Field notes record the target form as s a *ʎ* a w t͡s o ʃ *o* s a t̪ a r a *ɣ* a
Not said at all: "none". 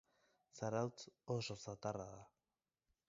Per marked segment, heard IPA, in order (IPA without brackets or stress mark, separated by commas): ɾ, o, ð